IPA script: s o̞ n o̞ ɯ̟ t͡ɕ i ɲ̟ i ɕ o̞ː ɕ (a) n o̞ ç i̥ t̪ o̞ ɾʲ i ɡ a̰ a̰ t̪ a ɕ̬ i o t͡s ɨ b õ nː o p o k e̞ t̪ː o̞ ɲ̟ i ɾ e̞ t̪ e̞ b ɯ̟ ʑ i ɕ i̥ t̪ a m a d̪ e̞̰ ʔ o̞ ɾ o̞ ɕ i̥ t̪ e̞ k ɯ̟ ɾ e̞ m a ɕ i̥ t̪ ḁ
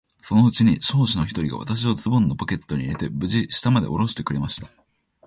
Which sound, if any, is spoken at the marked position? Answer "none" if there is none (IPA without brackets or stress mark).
i